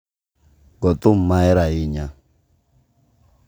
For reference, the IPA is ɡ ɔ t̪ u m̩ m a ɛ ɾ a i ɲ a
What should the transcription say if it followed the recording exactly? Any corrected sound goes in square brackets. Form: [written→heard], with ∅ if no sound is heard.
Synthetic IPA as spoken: ɡ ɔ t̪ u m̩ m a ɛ ɾ a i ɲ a